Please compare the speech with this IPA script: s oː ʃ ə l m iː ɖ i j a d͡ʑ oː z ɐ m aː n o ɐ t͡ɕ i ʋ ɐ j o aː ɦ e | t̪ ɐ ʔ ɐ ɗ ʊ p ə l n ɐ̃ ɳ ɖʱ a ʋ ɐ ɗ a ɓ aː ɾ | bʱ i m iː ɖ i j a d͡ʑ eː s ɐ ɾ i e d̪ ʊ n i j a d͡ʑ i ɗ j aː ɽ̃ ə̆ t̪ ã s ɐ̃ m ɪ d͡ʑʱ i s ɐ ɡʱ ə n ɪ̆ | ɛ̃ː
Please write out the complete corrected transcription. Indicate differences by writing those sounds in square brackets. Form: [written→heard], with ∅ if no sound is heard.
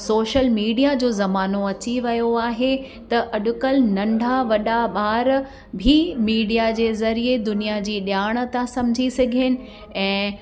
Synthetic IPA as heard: s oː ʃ ə l m iː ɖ i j a d͡ʑ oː z ɐ m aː n o ɐ t͡ɕ i ʋ ɐ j o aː ɦ e | t̪ ɐ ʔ ɐ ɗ ʊ [p→k] ə l n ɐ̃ ɳ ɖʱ a ʋ ɐ ɗ a ɓ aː ɾ | bʱ i m iː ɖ i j a d͡ʑ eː [s→z] ɐ ɾ i e d̪ ʊ n i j a d͡ʑ [i→iː] ɗ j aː ɽ̃ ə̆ t̪ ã s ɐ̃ m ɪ d͡ʑʱ i s ɐ ɡʱ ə n ɪ̆ | ɛ̃ː